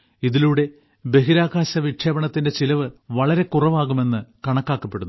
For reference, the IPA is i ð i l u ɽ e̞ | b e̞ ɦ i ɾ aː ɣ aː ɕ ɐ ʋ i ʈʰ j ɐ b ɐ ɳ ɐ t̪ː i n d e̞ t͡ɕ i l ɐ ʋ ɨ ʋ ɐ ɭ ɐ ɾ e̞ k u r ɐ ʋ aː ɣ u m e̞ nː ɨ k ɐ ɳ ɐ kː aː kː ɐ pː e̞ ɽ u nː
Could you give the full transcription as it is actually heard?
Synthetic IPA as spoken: i ð i l u ɽ e̞ | b e̞ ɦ i ɾ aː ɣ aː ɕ ɐ ʋ i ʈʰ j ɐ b ɐ ɳ ɐ t̪ː i n d e̞ t͡ɕ i l ɐ ʋ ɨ ʋ ɐ ɭ ɐ ɾ e̞ k u r ɐ ʋ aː ɣ u m e̞ nː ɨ k ɐ ɳ ɐ kː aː kː ɐ pː e̞ ɽ u nː